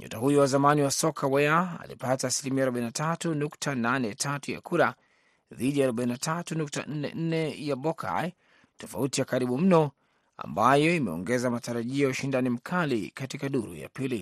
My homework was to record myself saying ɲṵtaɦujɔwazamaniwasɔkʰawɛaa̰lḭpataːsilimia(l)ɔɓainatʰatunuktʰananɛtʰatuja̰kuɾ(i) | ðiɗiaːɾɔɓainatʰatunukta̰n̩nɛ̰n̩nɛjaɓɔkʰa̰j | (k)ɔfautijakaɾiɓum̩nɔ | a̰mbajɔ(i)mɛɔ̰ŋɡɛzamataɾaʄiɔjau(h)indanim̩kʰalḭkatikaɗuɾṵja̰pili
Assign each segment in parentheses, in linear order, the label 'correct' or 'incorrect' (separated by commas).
incorrect, incorrect, incorrect, correct, incorrect